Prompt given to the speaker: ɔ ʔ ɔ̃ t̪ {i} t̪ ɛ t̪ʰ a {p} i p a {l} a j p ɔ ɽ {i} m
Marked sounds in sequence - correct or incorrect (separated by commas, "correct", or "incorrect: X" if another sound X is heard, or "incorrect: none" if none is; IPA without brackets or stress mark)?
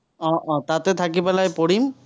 incorrect: a, incorrect: k, correct, correct